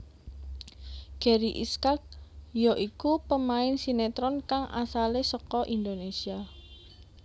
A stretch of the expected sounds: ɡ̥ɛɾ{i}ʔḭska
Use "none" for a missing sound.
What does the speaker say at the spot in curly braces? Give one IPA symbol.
i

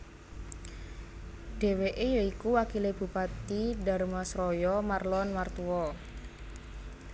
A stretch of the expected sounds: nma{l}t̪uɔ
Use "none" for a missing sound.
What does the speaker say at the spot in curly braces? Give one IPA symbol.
r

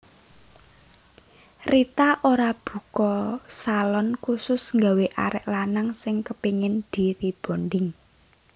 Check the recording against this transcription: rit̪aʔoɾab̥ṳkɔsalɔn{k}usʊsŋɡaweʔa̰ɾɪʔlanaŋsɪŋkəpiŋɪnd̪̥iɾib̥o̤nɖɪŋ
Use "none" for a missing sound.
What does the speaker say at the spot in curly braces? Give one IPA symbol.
k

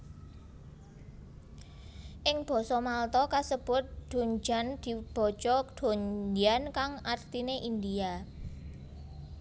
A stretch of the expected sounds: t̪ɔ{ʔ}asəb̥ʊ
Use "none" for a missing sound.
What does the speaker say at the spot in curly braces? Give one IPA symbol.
k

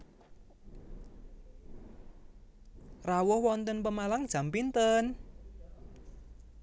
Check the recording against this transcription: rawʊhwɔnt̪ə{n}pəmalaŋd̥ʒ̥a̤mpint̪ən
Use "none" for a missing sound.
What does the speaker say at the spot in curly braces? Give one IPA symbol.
n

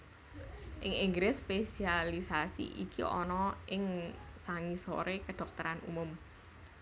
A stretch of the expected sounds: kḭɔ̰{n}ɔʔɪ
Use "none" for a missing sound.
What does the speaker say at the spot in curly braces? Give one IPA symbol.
n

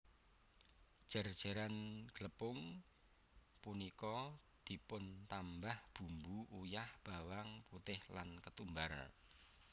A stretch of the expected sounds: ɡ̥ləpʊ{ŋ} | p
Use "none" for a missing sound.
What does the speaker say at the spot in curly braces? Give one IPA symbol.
ŋ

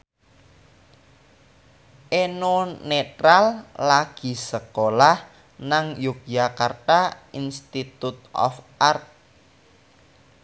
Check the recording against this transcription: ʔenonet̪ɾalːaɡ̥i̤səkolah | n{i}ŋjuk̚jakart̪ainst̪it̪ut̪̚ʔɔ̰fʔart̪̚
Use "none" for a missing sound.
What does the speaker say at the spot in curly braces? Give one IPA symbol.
a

